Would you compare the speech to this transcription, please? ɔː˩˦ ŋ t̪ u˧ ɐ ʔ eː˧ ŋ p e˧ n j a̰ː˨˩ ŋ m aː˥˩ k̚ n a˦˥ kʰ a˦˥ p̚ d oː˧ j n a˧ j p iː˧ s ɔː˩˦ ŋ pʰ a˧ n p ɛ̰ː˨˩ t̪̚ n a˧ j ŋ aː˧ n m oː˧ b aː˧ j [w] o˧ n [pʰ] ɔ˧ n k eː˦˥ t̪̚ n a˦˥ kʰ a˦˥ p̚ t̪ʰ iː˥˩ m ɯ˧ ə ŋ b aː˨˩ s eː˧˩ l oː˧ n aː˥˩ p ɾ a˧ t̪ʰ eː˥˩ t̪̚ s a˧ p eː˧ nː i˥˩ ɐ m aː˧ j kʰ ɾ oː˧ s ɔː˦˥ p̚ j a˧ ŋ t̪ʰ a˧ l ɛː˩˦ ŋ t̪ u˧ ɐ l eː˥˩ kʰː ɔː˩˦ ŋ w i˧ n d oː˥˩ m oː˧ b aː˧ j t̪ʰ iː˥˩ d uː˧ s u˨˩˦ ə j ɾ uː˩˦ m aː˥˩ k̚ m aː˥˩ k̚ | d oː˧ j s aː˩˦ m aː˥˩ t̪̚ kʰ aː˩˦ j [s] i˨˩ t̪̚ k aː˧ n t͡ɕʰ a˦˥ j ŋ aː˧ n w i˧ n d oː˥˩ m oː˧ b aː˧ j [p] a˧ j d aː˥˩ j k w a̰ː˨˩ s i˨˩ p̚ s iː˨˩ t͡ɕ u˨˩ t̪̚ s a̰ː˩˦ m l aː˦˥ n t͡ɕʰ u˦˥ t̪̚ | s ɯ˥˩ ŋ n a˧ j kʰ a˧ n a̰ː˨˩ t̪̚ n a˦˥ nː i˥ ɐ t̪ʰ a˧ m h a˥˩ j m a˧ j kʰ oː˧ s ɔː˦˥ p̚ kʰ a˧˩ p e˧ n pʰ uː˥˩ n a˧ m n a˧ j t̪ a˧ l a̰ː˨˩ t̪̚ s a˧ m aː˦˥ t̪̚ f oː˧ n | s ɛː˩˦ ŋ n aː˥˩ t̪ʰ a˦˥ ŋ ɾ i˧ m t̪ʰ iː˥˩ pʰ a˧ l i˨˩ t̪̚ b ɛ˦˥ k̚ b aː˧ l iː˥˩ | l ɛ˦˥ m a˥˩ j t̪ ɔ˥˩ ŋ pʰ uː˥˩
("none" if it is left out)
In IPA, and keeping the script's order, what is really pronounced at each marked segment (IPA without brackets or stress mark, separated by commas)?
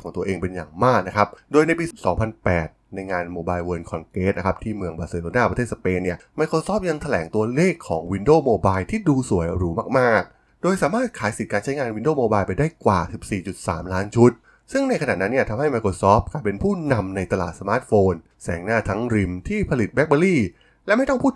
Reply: w, kʰ, s, p